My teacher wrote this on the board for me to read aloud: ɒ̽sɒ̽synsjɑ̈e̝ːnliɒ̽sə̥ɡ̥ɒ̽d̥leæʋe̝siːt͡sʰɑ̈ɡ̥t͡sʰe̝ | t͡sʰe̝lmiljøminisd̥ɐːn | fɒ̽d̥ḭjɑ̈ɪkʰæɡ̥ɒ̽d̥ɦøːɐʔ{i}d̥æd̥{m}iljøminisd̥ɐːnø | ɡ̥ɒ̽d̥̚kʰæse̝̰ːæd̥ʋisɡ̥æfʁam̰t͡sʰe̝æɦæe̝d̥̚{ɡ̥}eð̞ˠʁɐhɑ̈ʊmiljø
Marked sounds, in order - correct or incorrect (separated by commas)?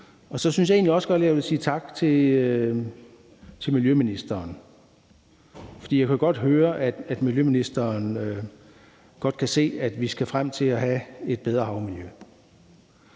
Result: incorrect, correct, incorrect